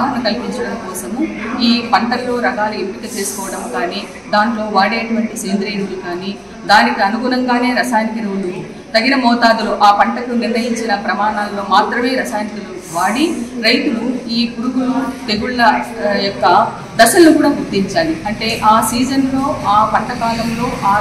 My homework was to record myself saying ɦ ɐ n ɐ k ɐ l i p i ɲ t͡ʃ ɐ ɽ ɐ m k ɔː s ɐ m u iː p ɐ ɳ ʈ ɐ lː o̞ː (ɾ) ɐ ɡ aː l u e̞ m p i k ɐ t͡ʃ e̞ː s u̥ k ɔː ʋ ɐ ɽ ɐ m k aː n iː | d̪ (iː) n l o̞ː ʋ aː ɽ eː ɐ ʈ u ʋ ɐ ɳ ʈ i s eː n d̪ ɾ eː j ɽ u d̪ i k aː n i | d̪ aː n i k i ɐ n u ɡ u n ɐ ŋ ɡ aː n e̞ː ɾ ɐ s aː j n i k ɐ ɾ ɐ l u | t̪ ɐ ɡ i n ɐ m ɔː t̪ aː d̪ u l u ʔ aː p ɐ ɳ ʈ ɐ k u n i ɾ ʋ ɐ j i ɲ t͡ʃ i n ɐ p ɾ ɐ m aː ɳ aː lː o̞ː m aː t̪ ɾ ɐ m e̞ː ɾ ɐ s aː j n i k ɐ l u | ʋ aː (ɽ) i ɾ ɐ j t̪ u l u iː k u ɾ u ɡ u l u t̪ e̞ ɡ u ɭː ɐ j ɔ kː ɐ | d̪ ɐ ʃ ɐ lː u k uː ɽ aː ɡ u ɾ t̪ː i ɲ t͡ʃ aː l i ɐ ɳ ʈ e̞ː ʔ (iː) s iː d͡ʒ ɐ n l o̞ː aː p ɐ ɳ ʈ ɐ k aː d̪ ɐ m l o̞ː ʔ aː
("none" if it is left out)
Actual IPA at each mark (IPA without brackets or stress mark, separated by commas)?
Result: ɾ, aː, ɽ, aː